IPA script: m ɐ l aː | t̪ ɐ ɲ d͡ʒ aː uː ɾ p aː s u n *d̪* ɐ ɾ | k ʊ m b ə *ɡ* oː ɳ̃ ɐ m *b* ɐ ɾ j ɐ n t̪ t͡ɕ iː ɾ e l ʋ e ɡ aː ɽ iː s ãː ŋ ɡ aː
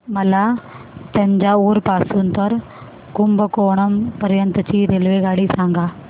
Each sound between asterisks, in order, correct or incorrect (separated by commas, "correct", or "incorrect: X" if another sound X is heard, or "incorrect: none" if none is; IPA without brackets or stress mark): incorrect: t̪, incorrect: k, incorrect: p